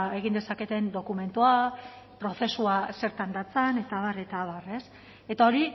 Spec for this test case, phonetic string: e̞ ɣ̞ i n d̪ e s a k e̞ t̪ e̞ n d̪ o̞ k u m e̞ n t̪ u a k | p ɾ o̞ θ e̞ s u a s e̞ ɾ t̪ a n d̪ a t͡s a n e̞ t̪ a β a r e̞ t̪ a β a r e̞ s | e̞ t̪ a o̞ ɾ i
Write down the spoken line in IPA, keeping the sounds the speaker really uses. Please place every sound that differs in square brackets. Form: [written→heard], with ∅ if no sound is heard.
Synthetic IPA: e̞ ɣ̞ i n d̪ e s a k e̞ t̪ e̞ n d̪ o̞ k u m e̞ n t̪ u a [k→∅] | p ɾ o̞ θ e̞ s u a s e̞ ɾ t̪ a n d̪ a t͡s a n e̞ t̪ a β a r e̞ t̪ a β a r e̞ s | e̞ t̪ a o̞ ɾ i